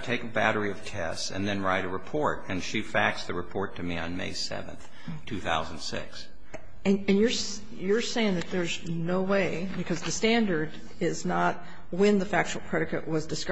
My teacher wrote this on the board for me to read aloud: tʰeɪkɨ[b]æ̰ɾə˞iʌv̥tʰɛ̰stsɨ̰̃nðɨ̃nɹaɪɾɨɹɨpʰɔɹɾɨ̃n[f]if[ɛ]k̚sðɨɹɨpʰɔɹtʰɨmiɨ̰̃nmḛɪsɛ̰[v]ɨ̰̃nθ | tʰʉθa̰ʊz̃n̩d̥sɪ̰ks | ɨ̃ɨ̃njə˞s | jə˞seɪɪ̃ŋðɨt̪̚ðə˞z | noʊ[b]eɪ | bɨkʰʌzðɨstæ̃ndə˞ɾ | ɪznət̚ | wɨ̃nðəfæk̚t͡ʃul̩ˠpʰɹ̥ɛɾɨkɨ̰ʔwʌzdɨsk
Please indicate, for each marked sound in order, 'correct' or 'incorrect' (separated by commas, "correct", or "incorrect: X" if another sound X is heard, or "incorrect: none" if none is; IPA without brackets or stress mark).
correct, incorrect: ʃ, incorrect: æ, correct, incorrect: w